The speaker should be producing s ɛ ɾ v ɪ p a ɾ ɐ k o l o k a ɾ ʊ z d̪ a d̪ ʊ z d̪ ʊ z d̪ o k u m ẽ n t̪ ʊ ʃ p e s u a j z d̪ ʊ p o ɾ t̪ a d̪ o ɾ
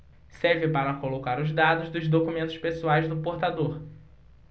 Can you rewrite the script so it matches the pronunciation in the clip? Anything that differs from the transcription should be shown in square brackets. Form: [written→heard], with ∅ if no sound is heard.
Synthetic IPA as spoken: s ɛ ɾ v ɪ p a ɾ ɐ k o l o k a ɾ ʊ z d̪ a d̪ ʊ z d̪ ʊ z d̪ o k u m ẽ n t̪ ʊ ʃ p e s u a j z d̪ ʊ p o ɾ t̪ a d̪ o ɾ